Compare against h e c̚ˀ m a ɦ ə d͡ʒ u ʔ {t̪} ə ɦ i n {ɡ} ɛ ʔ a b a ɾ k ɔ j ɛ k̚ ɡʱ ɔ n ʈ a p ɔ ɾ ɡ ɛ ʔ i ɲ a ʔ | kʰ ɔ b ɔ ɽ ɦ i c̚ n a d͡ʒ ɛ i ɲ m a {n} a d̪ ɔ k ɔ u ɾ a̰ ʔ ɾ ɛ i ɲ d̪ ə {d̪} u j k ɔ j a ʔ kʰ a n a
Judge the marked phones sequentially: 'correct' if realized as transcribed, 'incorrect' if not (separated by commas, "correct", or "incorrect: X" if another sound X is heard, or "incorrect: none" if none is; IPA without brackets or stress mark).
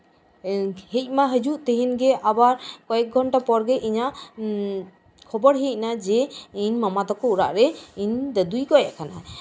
correct, correct, incorrect: m, correct